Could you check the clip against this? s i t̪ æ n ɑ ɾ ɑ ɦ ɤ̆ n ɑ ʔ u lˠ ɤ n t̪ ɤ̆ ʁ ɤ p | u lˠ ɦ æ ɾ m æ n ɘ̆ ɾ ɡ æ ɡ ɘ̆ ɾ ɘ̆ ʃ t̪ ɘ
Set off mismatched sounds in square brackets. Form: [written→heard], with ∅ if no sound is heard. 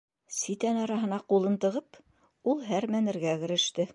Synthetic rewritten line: s i t̪ æ n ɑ ɾ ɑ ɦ ɤ̆ n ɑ [ʔ→q] u lˠ ɤ n t̪ ɤ̆ ʁ ɤ p | u lˠ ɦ æ ɾ m æ n ɘ̆ ɾ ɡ æ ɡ ɘ̆ ɾ ɘ̆ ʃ t̪ ɘ